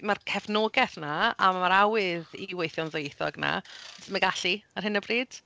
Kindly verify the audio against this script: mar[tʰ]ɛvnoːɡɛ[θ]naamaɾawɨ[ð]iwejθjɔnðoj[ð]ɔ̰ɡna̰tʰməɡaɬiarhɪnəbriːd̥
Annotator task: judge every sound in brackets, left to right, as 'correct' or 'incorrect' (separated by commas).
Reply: incorrect, correct, correct, incorrect